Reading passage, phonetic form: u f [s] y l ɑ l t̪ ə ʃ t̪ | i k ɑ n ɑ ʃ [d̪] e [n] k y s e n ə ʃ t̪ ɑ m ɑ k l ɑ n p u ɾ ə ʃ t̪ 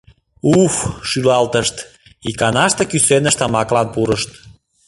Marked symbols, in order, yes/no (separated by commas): no, no, no